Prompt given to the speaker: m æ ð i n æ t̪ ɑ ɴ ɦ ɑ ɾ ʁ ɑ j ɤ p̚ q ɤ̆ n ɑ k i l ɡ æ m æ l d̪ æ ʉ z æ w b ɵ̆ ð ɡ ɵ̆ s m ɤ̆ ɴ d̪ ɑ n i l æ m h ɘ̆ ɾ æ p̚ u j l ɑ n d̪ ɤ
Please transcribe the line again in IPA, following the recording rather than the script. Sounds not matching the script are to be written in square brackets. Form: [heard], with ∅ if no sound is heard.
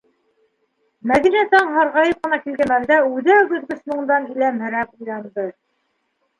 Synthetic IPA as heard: m æ ð i n æ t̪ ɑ ɴ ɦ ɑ ɾ ʁ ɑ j ɤ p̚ q ɤ̆ n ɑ k i l ɡ æ m æ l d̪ æ ʉ [ð] æ w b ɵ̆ ð ɡ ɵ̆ s m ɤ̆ ɴ d̪ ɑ n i l æ m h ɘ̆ ɾ æ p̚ u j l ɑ n d̪ ɤ